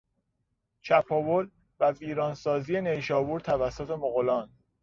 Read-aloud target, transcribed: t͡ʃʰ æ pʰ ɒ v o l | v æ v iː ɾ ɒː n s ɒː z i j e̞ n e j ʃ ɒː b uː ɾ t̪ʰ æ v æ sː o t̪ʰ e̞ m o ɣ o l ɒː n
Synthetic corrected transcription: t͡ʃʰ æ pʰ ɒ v o l | v æ v iː ɾ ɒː n s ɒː z i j e̞ n e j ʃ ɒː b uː ɾ t̪ʰ æ v æ sː o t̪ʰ e̞ m o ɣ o l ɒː n